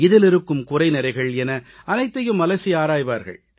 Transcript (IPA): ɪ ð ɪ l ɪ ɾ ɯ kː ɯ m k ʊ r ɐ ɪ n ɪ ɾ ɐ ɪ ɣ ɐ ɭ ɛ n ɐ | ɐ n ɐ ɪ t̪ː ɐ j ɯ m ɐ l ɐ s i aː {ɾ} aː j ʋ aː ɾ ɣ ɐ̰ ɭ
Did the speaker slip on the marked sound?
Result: no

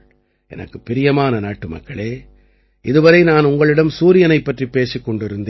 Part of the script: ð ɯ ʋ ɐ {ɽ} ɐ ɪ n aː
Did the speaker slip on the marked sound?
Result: yes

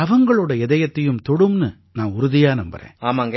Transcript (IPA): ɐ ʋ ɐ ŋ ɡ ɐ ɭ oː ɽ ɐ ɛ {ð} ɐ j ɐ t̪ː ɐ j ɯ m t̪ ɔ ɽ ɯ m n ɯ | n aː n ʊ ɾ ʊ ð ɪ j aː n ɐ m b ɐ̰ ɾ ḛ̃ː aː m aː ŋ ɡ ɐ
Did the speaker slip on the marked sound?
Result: no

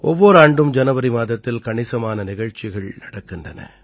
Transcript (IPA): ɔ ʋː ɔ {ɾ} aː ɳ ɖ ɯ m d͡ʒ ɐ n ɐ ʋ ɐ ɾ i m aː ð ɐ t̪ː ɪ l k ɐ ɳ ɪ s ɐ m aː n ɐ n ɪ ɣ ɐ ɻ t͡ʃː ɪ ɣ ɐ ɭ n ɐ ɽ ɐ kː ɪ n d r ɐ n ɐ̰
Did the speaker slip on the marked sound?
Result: no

